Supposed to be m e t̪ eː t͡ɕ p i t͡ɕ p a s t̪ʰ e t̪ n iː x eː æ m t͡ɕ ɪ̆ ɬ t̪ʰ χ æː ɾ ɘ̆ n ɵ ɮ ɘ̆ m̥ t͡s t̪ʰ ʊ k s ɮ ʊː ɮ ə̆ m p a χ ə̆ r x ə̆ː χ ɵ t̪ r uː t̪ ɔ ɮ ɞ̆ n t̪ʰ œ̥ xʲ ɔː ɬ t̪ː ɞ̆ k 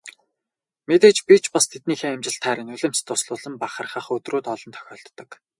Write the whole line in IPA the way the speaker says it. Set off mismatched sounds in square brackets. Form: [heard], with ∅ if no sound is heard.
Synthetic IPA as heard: m e t̪ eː t͡ɕ p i t͡ɕ p a s t̪ʰ e t̪ n iː x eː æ m t͡ɕ ɪ̆ ɬ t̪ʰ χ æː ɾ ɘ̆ n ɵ ɮ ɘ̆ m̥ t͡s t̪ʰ ʊ [∅] s ɮ ʊː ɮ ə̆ m p a χ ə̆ r [χ] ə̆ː χ ɵ t̪ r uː t̪ ɔ ɮ ɞ̆ n t̪ʰ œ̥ xʲ ɔː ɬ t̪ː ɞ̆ k